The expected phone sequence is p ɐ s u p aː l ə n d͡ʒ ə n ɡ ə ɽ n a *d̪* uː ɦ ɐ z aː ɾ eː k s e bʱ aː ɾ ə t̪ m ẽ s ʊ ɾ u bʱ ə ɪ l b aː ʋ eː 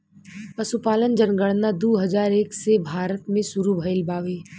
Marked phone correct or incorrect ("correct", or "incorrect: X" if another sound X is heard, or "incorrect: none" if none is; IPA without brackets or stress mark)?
correct